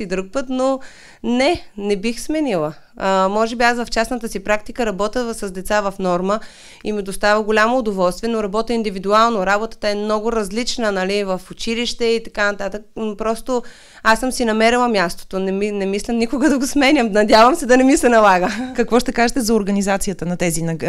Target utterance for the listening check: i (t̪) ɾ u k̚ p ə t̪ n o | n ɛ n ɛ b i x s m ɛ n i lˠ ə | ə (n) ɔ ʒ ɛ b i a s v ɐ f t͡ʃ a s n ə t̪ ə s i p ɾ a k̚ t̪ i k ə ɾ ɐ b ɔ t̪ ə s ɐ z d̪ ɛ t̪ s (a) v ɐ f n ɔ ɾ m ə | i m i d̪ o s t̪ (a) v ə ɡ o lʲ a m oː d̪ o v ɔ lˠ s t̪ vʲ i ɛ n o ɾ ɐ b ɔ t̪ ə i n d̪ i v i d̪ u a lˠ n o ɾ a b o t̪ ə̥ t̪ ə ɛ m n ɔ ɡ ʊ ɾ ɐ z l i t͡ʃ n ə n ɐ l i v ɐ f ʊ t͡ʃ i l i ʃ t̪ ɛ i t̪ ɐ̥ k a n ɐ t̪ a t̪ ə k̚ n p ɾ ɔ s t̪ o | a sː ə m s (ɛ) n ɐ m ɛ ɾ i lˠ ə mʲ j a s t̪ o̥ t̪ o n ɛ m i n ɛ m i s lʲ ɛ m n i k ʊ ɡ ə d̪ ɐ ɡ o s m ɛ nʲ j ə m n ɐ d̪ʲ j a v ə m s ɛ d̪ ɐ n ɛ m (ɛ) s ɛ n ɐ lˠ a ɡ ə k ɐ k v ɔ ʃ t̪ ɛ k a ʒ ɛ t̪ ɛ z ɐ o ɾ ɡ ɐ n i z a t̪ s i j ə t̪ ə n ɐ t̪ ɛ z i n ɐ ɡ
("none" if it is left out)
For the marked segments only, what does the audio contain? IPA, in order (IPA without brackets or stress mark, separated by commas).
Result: d̪, m, a, a, i, i